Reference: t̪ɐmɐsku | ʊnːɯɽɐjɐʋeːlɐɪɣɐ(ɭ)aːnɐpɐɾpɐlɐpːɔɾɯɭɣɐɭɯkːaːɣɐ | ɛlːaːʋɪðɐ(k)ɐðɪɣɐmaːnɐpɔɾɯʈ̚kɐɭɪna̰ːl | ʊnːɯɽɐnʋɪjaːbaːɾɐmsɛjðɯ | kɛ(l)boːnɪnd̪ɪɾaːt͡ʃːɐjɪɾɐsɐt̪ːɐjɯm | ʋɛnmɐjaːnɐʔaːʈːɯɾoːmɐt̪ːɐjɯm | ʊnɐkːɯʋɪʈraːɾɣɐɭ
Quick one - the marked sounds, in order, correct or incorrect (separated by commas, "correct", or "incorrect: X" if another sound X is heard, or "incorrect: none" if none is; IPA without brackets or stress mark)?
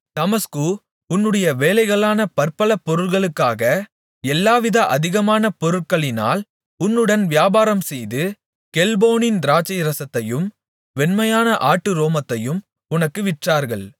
correct, incorrect: ʔ, correct